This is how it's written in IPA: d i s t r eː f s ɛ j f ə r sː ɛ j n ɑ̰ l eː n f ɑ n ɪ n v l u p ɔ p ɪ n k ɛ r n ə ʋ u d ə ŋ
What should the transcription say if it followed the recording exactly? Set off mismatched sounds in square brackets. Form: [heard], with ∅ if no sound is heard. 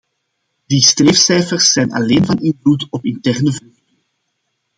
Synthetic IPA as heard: d i s t r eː f s ɛ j f ə r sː ɛ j n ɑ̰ l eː n [v] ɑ n ɪ n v l u [t] ɔ p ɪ n [t] ɛ r n ə [v] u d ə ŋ